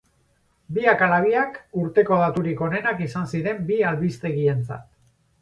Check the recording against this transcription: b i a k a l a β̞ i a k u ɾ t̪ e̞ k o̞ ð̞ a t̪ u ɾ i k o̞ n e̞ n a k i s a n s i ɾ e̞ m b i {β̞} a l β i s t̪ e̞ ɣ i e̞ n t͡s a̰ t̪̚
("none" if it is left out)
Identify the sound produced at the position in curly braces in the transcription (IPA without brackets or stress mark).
none